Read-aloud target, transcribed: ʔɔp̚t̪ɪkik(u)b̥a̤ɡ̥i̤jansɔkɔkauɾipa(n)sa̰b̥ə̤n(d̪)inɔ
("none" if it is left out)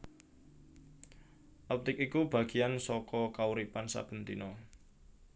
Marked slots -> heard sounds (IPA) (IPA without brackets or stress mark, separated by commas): u, n, t̪